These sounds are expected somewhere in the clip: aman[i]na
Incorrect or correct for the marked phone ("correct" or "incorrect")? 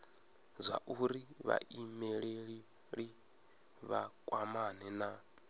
incorrect